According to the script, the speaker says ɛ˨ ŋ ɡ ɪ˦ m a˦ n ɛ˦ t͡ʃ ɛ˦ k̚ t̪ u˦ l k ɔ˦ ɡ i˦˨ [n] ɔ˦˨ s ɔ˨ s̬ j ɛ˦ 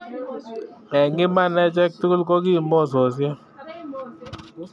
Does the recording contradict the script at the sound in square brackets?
yes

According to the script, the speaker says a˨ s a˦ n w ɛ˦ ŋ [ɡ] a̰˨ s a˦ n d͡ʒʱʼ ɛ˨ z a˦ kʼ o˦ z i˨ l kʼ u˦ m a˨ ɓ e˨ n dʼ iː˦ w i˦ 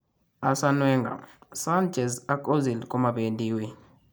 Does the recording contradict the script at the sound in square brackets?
no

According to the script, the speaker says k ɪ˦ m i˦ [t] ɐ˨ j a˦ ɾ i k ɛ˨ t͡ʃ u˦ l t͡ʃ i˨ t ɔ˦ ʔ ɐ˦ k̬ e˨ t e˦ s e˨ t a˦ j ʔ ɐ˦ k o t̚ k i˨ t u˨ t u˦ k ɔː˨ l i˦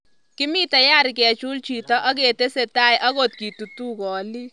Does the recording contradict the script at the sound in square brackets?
no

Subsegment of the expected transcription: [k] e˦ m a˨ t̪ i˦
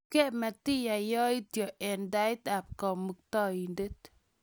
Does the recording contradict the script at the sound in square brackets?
no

